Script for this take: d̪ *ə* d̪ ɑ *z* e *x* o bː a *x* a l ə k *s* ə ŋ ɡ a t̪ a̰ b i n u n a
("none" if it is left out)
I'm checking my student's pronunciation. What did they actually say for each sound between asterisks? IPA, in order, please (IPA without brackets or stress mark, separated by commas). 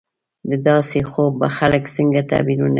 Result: ə, s, x, x, s